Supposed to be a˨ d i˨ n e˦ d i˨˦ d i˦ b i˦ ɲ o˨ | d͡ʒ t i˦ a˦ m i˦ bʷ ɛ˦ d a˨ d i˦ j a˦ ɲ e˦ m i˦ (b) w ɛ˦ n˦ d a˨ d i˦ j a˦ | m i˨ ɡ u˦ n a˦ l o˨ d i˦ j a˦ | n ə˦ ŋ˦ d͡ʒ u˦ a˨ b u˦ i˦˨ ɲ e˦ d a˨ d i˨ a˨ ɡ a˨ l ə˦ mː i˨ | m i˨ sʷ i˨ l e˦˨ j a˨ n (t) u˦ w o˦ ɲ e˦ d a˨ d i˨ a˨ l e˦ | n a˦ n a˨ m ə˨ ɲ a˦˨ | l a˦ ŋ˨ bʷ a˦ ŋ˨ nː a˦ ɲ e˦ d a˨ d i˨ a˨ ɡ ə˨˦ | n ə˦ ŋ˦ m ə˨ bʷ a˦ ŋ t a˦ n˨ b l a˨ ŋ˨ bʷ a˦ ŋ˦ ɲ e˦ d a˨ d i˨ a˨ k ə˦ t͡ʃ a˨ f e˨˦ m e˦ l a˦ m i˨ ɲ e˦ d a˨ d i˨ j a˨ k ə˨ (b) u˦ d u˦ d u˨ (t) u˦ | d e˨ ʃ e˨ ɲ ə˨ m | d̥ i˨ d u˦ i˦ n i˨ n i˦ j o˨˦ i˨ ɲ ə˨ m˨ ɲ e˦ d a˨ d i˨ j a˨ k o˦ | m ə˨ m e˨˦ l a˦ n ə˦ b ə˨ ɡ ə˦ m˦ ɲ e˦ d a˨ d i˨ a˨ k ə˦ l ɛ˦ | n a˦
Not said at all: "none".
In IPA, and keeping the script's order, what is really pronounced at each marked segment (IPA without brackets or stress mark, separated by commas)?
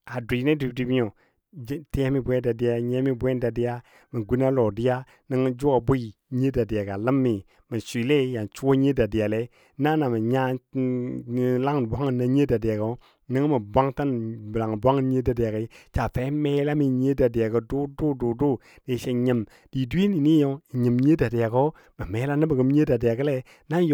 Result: b, t͡ʃ, d, d